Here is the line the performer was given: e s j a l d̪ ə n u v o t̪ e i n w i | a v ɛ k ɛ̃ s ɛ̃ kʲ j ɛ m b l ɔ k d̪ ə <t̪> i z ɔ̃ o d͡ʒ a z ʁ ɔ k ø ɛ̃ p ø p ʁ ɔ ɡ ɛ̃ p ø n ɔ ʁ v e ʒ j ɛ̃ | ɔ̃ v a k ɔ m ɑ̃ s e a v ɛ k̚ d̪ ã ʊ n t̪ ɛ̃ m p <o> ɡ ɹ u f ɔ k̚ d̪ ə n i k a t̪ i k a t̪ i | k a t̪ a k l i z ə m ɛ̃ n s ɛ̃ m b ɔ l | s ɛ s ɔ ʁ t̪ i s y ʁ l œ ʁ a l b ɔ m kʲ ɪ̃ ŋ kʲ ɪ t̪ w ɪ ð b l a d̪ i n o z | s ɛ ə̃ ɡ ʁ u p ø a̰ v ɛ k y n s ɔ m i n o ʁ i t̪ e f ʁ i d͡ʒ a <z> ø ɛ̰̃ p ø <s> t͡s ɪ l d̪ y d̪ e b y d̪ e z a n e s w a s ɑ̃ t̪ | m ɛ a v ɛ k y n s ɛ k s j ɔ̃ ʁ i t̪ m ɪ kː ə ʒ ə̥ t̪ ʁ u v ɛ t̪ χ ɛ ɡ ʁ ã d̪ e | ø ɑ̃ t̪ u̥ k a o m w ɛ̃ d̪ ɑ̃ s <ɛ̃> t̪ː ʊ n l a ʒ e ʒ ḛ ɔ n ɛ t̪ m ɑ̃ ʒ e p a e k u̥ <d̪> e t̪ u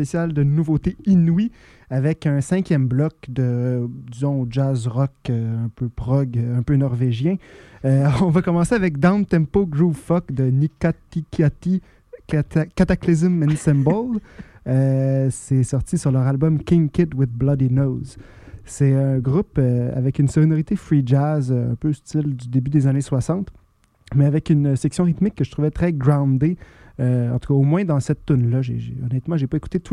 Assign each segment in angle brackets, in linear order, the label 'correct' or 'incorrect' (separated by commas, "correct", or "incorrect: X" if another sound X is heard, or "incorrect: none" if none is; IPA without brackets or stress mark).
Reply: incorrect: d̪, correct, correct, correct, incorrect: ɛ, incorrect: t̪